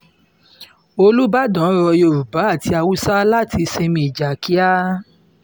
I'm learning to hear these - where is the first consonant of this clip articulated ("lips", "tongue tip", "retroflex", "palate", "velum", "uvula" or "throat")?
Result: tongue tip